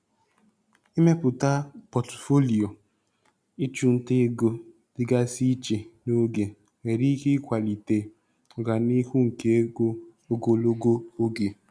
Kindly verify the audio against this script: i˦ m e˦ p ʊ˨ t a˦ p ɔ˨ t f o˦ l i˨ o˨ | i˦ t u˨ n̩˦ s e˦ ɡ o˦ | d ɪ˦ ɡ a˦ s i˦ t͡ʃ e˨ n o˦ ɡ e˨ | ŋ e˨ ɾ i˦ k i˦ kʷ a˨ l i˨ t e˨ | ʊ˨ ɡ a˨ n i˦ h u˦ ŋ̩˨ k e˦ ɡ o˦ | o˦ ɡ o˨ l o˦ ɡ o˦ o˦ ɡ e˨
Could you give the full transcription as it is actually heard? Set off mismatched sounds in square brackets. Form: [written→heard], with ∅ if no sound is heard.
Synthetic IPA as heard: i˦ m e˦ p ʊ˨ t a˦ p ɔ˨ t f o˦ l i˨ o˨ | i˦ [t→t͡ʃ] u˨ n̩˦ [s→t] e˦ ɡ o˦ | d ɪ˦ ɡ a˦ s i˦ t͡ʃ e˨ n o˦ ɡ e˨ | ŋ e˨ ɾ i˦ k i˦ kʷ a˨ l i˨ t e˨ | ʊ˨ ɡ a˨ n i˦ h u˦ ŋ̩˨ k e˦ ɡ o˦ | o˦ ɡ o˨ l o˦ ɡ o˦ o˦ ɡ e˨